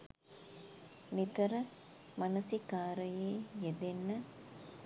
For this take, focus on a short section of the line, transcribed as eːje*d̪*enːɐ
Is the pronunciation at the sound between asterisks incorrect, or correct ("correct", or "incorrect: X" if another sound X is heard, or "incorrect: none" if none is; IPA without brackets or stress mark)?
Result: correct